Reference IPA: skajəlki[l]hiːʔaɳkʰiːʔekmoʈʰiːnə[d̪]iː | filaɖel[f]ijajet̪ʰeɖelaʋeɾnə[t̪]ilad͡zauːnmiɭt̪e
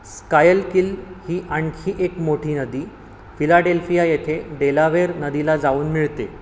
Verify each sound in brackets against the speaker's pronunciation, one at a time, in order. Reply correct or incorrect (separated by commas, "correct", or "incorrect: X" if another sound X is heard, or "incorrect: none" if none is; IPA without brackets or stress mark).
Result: correct, correct, correct, incorrect: d̪